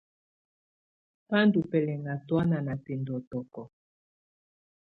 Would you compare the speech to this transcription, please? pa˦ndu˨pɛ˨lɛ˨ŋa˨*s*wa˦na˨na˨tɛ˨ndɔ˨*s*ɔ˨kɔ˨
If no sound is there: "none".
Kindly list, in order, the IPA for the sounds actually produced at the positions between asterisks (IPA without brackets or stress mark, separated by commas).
t, t